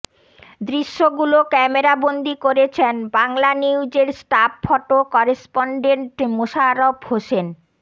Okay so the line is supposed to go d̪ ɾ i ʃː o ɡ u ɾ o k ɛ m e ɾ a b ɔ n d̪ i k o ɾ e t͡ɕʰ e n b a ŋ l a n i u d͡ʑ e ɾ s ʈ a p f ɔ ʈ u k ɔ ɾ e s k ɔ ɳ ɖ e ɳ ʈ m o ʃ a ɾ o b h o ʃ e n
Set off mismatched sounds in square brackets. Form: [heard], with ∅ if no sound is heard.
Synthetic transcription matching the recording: d̪ ɾ i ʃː o ɡ u [l] o k ɛ m e ɾ a b [o] n d̪ i k o ɾ e t͡ɕʰ e n b a ŋ l a n i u d͡ʑ e ɾ s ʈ a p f ɔ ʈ [o] k ɔ ɾ e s [p] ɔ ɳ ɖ e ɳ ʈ m o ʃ a ɾ o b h o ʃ e n

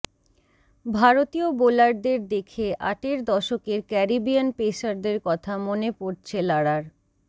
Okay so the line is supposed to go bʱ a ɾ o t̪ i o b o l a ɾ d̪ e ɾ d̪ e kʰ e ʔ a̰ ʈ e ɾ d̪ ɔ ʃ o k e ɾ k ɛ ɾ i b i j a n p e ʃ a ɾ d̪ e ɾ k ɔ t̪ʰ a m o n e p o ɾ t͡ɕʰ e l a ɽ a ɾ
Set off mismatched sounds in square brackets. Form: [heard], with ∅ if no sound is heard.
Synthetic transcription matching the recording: bʱ a ɾ o t̪ i o b o l a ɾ d̪ e ɾ d̪ e kʰ e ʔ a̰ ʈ e ɾ d̪ ɔ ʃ o k e ɾ k ɛ ɾ i b i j a n p e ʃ a ɾ d̪ e ɾ k ɔ t̪ʰ a m o n e p o ɾ t͡ɕʰ e l a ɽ a ɾ

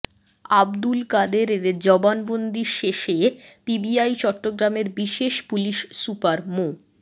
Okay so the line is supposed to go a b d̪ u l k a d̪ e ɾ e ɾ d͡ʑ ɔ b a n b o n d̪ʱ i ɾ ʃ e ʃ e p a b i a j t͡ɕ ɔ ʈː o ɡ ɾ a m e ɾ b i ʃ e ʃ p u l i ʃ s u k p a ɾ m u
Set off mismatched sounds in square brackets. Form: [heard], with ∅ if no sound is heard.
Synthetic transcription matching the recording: a b d̪ u l k a d̪ e ɾ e ɾ d͡ʑ ɔ b a n b o n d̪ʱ i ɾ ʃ e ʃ e p [i] b i a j t͡ɕ ɔ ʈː o ɡ ɾ a m e ɾ b i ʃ e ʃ p u l i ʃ s u [∅] p a ɾ m [o]

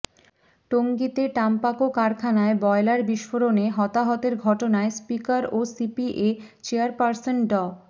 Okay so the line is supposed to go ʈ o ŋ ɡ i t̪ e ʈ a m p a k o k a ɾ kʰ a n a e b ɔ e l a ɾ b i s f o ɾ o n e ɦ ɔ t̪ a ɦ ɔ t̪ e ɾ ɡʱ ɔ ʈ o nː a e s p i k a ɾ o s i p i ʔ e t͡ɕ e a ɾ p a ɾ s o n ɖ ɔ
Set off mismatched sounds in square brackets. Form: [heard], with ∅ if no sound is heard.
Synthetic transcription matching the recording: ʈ o ŋ ɡ i t̪ e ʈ a m p a k o k a ɾ kʰ a n a e b ɔ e l a ɾ b i [ʃ] f o ɾ o n e ɦ ɔ t̪ a ɦ ɔ t̪ e ɾ ɡʱ ɔ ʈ o [n] a e s p i k a ɾ o s i p i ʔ e t͡ɕ e a ɾ p a ɾ s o n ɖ ɔ

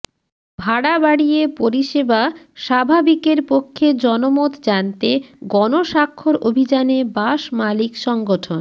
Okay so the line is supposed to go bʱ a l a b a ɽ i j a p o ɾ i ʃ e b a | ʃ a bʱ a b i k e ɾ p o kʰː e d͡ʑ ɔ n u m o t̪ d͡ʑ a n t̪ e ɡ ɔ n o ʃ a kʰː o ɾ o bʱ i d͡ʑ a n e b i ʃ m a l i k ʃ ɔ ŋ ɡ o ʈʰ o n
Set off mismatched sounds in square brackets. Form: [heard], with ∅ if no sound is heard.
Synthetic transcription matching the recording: bʱ a [ɽ] a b a ɽ i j [e] p o ɾ i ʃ e b a | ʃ a bʱ a b i k e ɾ p o kʰː e d͡ʑ ɔ n [o] m o t̪ d͡ʑ a n t̪ e ɡ ɔ n o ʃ a kʰː o ɾ o bʱ i d͡ʑ a n e b [a] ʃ m a l i k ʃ ɔ ŋ ɡ o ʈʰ o n

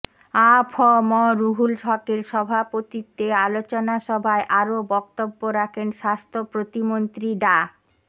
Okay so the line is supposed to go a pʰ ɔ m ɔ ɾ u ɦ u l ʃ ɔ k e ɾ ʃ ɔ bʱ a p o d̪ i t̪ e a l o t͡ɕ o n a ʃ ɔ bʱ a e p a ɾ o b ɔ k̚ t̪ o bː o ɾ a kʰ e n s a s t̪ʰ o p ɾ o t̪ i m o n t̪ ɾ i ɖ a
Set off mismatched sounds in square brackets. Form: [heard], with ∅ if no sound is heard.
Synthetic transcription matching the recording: a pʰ ɔ m ɔ ɾ u ɦ u l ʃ ɔ k e ɾ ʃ ɔ bʱ a p o [t̪] i t̪ e a l o t͡ɕ o n a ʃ ɔ bʱ a e [ʔ] a ɾ o b ɔ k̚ t̪ o bː o ɾ a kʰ e n [ʃ] a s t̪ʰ o p ɾ o t̪ i m o n t̪ ɾ i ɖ a

